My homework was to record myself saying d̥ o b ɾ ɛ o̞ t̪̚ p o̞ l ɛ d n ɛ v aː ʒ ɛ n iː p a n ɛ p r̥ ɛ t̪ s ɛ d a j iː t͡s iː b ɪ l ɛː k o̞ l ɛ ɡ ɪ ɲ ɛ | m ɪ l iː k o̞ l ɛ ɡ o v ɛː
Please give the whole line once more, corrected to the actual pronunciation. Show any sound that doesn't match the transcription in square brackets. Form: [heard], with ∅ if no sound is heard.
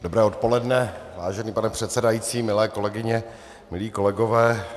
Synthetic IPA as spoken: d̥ o b ɾ [ɛː] o̞ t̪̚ p o̞ l ɛ d n ɛ v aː ʒ ɛ n iː p a n ɛ p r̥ ɛ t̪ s ɛ d a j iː t͡s iː [m] ɪ l ɛː k o̞ l ɛ ɡ ɪ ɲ ɛ | m ɪ l iː k o̞ l ɛ ɡ o v ɛː